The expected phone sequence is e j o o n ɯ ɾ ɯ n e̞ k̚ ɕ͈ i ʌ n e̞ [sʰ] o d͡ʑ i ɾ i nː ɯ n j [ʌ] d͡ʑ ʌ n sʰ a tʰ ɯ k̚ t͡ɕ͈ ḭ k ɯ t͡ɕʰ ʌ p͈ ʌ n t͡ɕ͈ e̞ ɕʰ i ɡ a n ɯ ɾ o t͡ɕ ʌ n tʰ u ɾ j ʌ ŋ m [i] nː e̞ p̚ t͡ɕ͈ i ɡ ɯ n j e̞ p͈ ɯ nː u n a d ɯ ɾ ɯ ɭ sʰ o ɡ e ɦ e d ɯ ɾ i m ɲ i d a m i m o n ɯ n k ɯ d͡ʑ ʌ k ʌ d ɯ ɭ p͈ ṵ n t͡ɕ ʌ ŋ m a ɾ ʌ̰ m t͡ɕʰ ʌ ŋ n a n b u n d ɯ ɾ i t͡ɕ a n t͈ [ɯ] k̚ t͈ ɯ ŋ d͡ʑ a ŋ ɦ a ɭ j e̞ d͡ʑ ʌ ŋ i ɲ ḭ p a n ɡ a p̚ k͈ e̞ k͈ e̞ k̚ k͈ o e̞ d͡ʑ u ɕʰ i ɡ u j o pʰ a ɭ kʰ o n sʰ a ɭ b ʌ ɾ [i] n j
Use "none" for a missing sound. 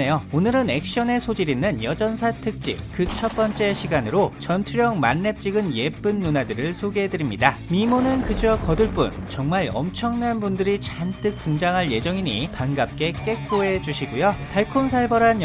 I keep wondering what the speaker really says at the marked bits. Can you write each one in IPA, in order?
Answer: sʰ, ʌ, a, ɯ, a

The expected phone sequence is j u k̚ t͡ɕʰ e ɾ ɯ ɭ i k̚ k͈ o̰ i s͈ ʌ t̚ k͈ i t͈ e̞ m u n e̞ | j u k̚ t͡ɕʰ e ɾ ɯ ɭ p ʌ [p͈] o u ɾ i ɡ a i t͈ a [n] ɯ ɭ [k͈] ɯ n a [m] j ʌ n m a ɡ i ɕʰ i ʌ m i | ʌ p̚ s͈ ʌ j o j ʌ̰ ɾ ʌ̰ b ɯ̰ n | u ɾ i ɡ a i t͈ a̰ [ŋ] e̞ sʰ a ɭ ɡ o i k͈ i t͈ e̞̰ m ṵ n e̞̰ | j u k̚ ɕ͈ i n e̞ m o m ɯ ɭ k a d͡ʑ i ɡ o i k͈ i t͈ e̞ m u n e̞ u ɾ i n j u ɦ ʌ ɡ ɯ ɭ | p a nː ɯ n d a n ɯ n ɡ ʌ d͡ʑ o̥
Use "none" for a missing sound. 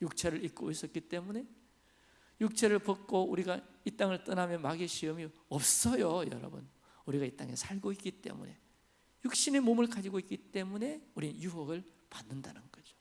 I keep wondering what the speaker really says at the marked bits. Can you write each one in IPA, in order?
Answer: k͈, ŋ, t͈, m, ŋ

